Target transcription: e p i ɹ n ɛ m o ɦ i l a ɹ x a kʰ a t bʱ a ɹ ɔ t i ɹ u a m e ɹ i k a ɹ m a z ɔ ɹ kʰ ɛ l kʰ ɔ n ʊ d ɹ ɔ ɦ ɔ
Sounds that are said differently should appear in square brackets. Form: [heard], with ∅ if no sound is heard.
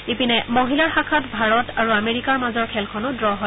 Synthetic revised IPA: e p i [∅] n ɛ m o ɦ i l a ɹ x a kʰ a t bʱ a ɹ ɔ t [a] ɹ u a m e ɹ i k a ɹ m a z ɔ ɹ kʰ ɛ l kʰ ɔ n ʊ d ɹ ɔ ɦ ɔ